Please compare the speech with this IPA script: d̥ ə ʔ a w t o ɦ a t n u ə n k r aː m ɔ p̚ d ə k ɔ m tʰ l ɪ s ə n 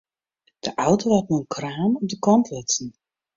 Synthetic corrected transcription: d̥ ə ʔ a w t o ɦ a t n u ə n k r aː m ɔ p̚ d ə k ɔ n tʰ l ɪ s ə n